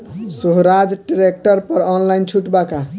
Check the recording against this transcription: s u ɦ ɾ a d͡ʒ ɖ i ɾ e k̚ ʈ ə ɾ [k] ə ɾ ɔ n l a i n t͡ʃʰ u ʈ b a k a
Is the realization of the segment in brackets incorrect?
yes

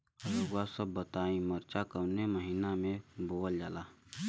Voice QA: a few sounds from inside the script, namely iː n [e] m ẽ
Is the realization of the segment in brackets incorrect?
yes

